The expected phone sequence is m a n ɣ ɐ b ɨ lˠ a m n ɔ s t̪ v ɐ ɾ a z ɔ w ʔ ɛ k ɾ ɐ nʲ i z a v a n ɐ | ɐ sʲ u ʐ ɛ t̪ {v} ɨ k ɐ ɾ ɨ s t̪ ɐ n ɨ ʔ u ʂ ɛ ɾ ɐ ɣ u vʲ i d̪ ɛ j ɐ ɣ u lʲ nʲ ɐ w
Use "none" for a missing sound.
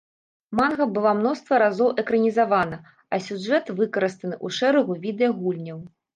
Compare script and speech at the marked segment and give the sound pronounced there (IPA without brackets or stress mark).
v